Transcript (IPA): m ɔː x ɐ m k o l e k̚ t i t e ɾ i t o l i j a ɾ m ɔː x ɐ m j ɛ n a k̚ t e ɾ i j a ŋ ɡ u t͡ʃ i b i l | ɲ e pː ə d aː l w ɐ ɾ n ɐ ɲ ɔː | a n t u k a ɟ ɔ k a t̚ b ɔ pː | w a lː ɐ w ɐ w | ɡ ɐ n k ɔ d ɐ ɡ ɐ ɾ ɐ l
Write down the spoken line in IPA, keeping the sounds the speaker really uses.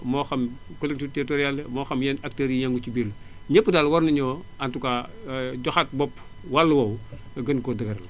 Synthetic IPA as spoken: m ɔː x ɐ m k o l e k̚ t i t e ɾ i t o ɾ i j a l m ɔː x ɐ m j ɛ n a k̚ t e ɾ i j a ŋ ɡ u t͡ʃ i b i l | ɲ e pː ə d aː l w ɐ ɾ n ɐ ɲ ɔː | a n t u k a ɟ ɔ x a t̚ b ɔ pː | w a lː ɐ w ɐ w | ɡ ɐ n k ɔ d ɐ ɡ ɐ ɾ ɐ l